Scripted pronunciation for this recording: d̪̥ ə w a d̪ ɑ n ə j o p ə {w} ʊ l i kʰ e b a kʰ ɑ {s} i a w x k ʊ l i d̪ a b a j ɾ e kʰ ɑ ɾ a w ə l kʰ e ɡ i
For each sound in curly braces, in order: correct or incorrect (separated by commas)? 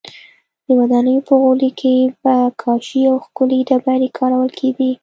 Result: incorrect, incorrect